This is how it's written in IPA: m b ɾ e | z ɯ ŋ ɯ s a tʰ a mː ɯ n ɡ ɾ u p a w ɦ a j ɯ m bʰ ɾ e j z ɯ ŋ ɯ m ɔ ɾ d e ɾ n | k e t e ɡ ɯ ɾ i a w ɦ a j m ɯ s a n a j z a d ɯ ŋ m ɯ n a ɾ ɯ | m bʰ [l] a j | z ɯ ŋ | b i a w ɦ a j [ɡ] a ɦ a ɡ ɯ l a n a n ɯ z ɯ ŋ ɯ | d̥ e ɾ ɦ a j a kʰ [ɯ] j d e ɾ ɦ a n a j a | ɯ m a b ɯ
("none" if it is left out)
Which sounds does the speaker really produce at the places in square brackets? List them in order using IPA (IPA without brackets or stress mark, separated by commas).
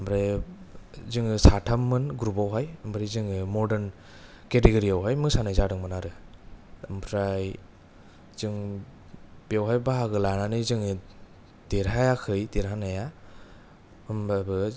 ɾ, b, ɯ